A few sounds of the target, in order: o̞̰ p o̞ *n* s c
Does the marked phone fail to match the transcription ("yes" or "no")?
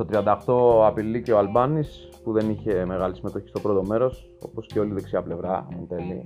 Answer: yes